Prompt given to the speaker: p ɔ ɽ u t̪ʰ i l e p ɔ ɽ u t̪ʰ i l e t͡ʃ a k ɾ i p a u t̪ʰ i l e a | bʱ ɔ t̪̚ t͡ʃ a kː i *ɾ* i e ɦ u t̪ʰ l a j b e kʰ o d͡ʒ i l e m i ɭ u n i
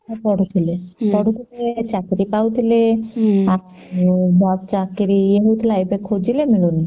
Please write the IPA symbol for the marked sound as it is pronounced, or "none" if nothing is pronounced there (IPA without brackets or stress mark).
ɾ